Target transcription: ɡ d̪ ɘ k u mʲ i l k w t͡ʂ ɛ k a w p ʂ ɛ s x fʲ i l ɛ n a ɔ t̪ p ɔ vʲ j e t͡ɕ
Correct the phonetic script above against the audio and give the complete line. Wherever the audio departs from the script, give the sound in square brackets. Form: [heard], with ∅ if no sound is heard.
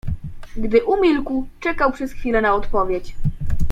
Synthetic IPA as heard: ɡ d̪ ɘ [ʔ] u mʲ i l k w t͡ʂ ɛ k a w p ʂ ɛ s x fʲ i l ɛ n a ɔ t̪ p ɔ vʲ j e t͡ɕ